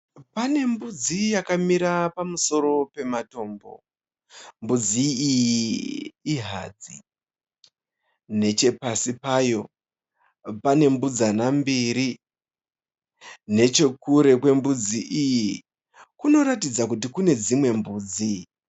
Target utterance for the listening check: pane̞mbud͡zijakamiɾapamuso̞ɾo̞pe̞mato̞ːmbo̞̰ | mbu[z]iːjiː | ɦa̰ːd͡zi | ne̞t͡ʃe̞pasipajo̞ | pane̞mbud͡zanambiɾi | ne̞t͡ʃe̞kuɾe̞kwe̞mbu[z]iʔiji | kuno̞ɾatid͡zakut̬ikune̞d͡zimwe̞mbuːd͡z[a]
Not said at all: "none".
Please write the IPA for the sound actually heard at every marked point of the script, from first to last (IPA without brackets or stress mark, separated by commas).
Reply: d͡z, d͡z, i